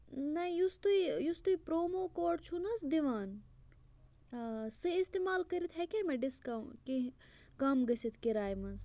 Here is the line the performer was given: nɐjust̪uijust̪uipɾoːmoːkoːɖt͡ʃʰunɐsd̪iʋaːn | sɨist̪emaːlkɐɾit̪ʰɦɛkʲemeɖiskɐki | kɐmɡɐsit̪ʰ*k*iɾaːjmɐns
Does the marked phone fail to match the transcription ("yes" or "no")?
no